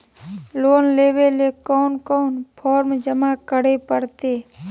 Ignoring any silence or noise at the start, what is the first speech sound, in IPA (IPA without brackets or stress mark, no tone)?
l